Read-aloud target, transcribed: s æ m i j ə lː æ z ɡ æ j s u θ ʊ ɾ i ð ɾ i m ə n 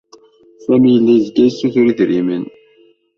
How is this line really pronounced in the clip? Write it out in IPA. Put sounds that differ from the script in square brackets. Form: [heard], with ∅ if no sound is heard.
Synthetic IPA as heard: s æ m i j ə lː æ z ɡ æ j s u θ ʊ ɾ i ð ɾ i m ə n